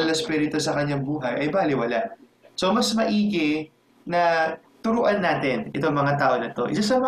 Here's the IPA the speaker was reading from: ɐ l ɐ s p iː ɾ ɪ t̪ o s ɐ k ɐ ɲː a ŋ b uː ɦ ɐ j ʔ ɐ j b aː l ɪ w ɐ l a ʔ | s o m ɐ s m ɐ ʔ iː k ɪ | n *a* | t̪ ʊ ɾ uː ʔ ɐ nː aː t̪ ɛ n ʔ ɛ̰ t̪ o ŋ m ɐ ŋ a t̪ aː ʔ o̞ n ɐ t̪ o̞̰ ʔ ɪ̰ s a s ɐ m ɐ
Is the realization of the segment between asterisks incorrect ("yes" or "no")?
yes